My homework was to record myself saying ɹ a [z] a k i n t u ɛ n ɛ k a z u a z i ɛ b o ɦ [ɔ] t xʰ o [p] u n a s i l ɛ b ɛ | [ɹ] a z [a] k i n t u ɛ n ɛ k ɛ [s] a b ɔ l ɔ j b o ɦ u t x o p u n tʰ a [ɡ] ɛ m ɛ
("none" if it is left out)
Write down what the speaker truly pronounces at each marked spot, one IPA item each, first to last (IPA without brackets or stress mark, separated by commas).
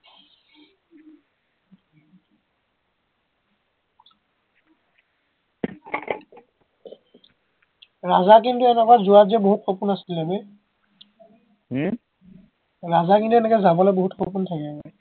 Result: z, u, p, ɹ, a, z, k